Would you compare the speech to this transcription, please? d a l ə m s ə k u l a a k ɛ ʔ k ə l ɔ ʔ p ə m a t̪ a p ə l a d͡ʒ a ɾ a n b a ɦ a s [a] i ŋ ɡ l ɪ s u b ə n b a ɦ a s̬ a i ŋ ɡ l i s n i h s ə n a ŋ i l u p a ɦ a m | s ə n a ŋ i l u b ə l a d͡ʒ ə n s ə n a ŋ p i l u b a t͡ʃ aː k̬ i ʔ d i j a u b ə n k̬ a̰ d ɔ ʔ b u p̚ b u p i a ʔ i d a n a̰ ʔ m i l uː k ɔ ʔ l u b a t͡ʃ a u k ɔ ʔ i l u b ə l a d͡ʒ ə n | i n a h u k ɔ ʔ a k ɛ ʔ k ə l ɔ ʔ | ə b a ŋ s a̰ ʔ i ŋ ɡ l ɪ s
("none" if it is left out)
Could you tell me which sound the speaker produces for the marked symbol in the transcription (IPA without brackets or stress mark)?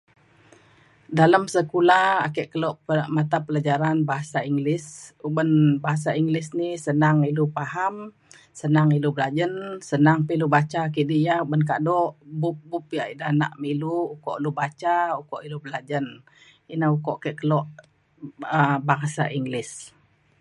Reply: a